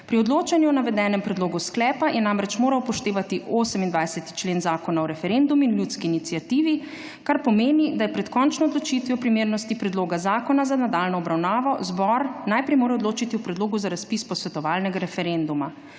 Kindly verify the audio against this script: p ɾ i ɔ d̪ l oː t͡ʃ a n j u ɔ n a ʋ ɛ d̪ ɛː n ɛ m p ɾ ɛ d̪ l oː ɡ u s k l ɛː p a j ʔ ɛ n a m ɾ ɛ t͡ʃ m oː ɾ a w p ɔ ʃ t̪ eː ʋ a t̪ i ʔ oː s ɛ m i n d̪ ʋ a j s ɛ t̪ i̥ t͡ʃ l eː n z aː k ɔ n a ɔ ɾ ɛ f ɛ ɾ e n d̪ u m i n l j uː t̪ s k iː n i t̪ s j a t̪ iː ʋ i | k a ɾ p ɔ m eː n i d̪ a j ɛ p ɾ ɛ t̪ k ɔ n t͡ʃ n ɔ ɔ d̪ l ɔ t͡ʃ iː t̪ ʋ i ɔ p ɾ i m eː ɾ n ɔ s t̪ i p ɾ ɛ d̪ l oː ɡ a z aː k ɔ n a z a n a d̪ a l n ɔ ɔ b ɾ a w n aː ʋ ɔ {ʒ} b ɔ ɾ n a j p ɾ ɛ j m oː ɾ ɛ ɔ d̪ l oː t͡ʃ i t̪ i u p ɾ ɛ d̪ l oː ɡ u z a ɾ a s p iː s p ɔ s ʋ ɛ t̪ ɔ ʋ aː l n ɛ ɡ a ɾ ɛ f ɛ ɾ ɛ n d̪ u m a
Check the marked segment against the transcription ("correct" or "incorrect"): incorrect